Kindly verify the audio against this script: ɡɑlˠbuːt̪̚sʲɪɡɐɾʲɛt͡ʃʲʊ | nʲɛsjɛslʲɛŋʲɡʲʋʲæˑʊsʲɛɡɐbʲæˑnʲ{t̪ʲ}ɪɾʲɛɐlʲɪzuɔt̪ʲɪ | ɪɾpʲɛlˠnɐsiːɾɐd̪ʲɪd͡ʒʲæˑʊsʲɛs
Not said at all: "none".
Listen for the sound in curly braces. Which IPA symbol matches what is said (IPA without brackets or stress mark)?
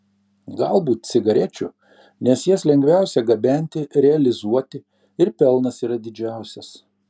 t̪ʲ